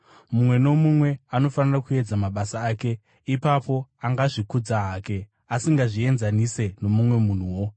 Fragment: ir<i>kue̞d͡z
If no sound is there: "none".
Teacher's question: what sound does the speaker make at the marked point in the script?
a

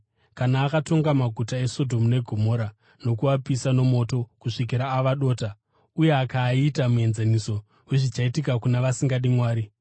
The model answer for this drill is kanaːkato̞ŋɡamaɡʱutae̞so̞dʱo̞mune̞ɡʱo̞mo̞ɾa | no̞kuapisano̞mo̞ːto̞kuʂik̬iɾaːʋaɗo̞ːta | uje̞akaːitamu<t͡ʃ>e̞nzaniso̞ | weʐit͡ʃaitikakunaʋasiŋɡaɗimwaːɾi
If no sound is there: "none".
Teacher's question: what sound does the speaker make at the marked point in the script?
none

